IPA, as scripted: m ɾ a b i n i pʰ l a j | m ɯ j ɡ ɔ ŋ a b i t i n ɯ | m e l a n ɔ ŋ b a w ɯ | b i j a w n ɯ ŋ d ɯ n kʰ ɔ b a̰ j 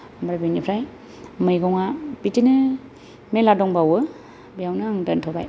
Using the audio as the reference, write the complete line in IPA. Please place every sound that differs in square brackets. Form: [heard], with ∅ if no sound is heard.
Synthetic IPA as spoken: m ɾ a b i n i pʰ [ɾ] a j | m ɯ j ɡ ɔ ŋ a b i t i n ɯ | m e l a [d] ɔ ŋ b a w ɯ | b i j a w n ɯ ŋ d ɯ n [tʰ] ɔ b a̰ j